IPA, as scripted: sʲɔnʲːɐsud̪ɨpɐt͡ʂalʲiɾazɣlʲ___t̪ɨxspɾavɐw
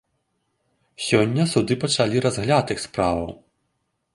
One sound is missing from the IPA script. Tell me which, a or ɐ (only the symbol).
a